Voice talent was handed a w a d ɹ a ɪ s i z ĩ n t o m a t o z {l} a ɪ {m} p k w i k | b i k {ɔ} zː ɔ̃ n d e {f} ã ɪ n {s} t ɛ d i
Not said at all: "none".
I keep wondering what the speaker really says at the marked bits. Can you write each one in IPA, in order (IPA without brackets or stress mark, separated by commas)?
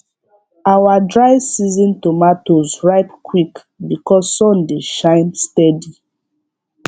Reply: ɹ, none, ɔ, ʃ, s